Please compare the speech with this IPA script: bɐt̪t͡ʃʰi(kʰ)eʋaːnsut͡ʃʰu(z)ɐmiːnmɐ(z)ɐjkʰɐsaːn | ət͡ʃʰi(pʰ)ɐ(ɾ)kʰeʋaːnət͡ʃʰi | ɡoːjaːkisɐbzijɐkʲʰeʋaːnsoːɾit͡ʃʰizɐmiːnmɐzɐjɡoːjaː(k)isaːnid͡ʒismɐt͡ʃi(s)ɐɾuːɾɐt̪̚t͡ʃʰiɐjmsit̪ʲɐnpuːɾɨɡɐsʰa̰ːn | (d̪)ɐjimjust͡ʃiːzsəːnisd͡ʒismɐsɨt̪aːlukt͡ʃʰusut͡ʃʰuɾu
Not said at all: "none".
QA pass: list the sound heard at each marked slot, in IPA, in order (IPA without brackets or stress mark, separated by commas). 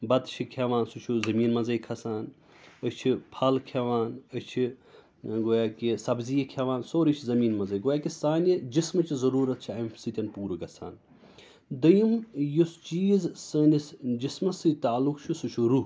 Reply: kʰ, z, z, pʰ, l, k, z, d̪